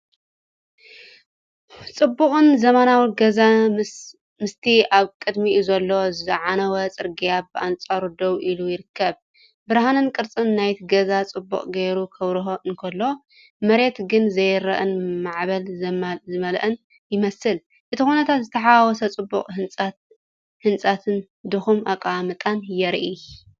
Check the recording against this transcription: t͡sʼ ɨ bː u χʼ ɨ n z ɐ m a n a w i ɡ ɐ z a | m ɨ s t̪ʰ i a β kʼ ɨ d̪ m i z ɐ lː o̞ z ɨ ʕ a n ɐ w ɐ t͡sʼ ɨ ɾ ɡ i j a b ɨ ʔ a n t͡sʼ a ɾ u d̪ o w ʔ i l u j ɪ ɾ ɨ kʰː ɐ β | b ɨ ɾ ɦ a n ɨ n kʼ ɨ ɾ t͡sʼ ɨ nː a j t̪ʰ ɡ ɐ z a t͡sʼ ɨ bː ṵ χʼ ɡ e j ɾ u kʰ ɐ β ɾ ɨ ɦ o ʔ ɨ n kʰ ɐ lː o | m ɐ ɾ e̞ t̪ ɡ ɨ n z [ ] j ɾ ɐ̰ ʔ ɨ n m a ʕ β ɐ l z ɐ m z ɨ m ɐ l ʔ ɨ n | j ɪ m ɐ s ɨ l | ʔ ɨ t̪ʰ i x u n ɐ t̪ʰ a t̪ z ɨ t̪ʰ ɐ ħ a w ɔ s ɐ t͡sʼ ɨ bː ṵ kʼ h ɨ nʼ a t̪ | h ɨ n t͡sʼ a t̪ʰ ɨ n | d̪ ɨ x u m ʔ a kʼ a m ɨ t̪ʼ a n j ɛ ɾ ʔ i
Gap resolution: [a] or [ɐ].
ɐ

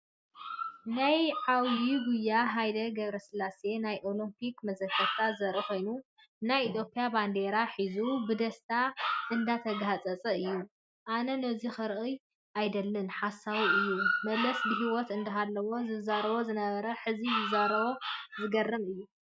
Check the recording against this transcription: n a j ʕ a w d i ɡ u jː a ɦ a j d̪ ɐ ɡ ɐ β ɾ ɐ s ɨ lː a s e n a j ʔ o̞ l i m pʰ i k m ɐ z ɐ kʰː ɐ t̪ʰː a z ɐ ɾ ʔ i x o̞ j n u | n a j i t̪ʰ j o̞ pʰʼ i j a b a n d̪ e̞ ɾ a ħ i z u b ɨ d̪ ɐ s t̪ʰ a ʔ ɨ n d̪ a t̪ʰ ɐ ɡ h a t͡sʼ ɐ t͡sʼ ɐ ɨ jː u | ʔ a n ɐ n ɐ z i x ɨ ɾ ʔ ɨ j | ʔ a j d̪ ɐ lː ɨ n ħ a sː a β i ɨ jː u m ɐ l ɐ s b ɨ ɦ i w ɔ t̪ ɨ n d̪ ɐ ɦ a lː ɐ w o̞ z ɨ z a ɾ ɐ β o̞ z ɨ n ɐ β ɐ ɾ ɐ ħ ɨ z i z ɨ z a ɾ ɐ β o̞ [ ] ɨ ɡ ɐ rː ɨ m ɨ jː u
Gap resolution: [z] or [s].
z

